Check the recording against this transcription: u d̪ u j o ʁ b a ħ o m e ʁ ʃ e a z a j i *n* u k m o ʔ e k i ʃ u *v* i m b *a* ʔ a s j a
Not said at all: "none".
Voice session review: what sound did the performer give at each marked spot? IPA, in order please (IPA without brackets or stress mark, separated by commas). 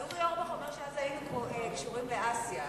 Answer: n, ʁ, e